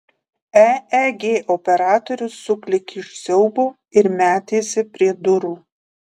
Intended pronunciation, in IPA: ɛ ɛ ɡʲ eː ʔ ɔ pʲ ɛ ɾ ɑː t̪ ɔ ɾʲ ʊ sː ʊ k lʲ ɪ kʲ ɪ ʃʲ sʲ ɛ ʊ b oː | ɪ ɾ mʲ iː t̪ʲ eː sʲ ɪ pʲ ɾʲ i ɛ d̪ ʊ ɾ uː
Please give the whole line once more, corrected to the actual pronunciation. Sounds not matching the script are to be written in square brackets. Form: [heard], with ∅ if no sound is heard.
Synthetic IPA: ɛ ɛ ɡʲ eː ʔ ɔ pʲ ɛ ɾ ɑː t̪ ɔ ɾʲ ʊ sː ʊ k lʲ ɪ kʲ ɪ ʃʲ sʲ ɛ ʊ b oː | ɪ ɾ mʲ [æː] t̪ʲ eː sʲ ɪ pʲ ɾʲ i ɛ d̪ ʊ ɾ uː